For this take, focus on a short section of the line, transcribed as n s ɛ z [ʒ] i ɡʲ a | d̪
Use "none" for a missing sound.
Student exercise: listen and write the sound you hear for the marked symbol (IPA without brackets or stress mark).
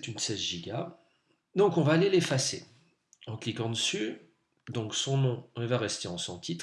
ʒ